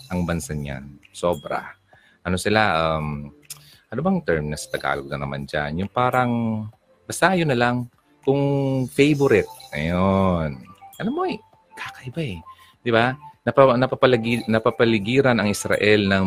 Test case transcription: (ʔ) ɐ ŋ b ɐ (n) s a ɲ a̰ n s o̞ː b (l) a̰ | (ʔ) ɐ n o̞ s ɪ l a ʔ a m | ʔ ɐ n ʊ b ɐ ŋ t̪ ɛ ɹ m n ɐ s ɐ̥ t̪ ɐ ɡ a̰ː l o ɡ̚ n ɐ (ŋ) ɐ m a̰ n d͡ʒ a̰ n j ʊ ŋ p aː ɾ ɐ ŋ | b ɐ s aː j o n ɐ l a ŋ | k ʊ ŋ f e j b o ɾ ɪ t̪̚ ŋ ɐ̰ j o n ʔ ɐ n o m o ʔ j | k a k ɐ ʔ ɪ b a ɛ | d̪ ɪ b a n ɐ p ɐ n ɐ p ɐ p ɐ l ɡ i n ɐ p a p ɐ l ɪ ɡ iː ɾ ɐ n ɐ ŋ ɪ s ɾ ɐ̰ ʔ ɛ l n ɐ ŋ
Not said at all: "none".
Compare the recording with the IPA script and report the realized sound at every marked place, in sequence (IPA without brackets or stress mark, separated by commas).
ʔ, n, ɾ, ʔ, n